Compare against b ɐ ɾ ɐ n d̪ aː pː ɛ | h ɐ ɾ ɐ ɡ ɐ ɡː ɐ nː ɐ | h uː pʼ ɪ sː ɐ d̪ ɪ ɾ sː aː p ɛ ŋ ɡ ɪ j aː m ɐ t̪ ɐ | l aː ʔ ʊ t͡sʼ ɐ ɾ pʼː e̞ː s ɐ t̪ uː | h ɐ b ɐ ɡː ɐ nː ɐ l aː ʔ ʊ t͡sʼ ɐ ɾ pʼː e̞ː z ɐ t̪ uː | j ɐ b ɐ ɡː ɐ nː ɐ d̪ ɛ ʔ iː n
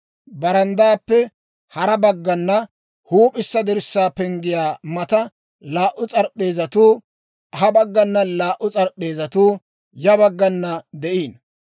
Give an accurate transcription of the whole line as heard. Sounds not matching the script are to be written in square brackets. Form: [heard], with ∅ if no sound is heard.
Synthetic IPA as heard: b ɐ ɾ ɐ n d̪ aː pː ɛ | h ɐ ɾ ɐ [b] ɐ ɡː ɐ nː ɐ | h uː pʼ ɪ sː ɐ d̪ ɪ ɾ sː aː p ɛ ŋ ɡ ɪ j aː m ɐ t̪ ɐ | l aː ʔ ʊ t͡sʼ ɐ ɾ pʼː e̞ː [z] ɐ t̪ uː | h ɐ b ɐ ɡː ɐ nː ɐ l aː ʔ ʊ t͡sʼ ɐ ɾ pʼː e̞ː z ɐ t̪ uː | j ɐ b ɐ ɡː ɐ nː ɐ d̪ ɛ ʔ iː n